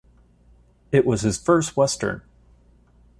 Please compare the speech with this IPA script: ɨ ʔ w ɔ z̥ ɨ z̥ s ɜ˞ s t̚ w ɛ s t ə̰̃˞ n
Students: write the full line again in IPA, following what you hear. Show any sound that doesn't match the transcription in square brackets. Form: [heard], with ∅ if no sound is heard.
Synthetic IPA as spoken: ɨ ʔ w [ʌ] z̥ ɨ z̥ [f] ɜ˞ s t̚ w ɛ s t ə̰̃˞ n